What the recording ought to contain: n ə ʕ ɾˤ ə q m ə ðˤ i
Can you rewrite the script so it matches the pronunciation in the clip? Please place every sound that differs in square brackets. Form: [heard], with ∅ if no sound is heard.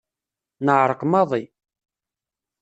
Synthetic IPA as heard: n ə ʕ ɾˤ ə q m [ɑ] ðˤ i